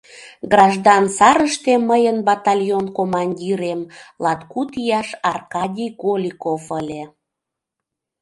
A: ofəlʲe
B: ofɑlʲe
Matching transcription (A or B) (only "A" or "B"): A